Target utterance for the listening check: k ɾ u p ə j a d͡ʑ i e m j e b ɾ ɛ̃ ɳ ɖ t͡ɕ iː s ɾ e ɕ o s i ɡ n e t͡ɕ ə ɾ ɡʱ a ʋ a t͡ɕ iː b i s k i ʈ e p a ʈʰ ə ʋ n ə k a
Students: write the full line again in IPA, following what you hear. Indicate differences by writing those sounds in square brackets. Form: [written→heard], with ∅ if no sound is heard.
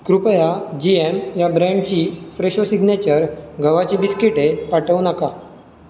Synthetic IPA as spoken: k ɾ u p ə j a d͡ʑ i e m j [e→a] b ɾ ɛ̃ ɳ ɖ t͡ɕ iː [s→f] ɾ e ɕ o s i ɡ n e t͡ɕ ə ɾ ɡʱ [a→ə] ʋ a t͡ɕ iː b i s k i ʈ e p a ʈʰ ə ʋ n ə k a